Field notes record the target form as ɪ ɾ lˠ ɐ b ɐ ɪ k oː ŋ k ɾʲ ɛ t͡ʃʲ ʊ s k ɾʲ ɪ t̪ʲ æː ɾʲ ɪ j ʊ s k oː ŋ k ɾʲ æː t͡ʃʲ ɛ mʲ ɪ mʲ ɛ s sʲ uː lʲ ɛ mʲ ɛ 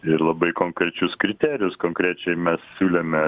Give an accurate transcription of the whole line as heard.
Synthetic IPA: ɪ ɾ lˠ ɐ b ɐ ɪ k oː ŋ k ɾʲ ɛ t͡ʃʲ ʊ s k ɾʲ ɪ t̪ʲ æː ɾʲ ɪ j ʊ s k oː ŋ k ɾʲ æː t͡ʃʲ ɛ ɪ mʲ ɛ s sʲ uː lʲ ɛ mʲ ɛ